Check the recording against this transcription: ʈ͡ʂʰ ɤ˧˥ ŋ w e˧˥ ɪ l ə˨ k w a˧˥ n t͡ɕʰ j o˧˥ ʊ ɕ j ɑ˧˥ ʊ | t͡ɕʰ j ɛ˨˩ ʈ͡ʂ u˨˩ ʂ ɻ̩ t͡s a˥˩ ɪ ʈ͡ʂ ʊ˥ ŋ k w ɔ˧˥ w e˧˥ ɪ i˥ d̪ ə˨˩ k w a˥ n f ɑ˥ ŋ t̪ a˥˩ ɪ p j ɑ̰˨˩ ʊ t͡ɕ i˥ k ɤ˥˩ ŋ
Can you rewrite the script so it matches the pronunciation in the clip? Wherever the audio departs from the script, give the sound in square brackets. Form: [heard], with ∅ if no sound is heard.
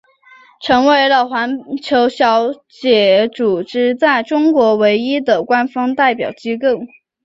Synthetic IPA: ʈ͡ʂʰ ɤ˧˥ ŋ w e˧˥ ɪ l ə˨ [x] w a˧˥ n t͡ɕʰ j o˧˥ ʊ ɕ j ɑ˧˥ ʊ | [t͡ɕ] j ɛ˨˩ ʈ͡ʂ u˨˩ [ʈ͡ʂ] ɻ̩ t͡s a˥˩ ɪ ʈ͡ʂ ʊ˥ ŋ k w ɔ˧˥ w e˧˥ ɪ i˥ d̪ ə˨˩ k w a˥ n f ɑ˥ ŋ t̪ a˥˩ ɪ p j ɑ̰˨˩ ʊ t͡ɕ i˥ k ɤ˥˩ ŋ